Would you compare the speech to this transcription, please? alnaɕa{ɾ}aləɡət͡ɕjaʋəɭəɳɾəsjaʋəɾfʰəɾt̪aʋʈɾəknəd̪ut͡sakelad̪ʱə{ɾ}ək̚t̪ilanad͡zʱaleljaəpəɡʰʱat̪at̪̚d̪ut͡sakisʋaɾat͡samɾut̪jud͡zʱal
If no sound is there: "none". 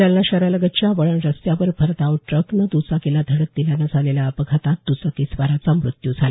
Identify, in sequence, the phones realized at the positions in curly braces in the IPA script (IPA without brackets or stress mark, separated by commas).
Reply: ɾ, ɽ